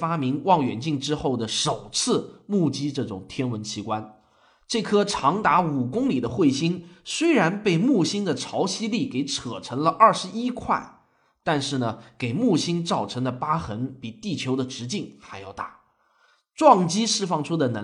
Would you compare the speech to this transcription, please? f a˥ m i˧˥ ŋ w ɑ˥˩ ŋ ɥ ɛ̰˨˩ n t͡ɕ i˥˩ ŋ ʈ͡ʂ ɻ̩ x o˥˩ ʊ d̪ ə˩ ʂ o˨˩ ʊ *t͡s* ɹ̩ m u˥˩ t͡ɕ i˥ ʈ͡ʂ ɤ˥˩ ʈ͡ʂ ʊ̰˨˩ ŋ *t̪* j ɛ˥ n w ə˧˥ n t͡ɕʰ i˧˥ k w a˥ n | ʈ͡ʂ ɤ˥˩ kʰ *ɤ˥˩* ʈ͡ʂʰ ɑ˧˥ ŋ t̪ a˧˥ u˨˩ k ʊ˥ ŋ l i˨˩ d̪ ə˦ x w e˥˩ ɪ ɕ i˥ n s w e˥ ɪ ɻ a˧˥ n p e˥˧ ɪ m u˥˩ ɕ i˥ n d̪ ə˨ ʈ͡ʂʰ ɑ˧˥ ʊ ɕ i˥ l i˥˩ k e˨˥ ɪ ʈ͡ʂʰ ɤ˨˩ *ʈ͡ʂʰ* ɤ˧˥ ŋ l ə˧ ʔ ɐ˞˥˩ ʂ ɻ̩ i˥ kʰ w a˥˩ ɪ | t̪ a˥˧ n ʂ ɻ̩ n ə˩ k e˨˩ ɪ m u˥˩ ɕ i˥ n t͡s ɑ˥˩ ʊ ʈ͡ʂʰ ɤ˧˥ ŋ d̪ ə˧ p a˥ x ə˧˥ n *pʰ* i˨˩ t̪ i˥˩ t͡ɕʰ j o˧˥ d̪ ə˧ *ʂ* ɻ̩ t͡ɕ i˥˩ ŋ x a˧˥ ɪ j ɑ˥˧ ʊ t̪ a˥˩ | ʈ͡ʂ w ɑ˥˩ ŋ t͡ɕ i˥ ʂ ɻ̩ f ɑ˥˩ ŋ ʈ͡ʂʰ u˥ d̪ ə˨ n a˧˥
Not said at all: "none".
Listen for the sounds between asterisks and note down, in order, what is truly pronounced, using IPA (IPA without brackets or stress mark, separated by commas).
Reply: t͡sʰ, t̪ʰ, ɤ˥, ʈ͡ʂʰ, p, ʈ͡ʂ